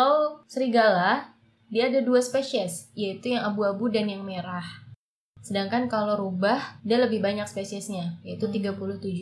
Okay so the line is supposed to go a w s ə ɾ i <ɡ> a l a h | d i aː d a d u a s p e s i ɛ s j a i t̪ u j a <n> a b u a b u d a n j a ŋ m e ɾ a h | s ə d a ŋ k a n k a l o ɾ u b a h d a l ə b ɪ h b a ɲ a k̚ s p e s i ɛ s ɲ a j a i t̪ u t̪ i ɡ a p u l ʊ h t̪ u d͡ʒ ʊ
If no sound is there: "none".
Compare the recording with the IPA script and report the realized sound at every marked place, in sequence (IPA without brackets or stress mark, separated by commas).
ɡ, ŋ